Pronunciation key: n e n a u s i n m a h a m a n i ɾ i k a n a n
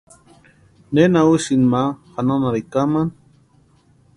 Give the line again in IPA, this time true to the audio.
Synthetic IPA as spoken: n e n a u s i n m a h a n a n a ɾ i k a m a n